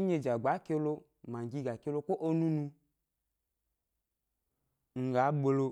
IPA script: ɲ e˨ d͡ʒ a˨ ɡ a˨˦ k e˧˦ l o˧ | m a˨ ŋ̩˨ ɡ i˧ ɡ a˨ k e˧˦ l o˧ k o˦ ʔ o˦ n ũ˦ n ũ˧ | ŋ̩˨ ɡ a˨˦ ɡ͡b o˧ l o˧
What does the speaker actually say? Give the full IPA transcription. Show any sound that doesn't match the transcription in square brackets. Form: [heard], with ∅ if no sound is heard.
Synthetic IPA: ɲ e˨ d͡ʒ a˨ [ɡ͡b] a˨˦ k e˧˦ l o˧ | m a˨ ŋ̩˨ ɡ i˧ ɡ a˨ k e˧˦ l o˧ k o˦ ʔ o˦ n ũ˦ n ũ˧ | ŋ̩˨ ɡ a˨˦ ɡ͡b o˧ l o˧